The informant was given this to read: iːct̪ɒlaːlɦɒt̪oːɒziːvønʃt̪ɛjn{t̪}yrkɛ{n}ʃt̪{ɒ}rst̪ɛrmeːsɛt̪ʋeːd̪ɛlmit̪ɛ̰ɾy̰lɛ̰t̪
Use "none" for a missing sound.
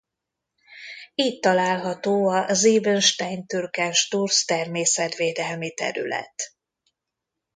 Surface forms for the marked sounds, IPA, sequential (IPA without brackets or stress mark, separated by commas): t̪, n, u